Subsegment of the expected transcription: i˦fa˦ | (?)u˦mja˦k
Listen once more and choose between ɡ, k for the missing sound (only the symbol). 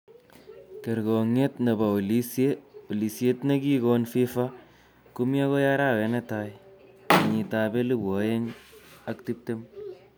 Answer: k